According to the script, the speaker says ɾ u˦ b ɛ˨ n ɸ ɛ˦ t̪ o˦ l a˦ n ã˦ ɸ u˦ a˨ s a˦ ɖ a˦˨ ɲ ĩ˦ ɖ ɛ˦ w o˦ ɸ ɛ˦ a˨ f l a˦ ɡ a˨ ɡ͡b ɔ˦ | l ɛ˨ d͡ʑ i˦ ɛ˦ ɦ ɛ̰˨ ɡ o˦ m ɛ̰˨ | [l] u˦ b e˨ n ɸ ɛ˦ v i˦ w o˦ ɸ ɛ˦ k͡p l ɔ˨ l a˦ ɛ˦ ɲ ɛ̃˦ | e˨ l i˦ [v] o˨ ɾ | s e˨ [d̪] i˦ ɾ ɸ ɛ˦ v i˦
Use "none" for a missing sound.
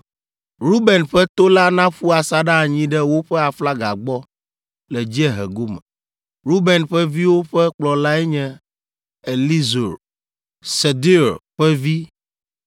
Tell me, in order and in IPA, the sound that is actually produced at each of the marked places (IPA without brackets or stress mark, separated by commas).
ɾ, z, d̪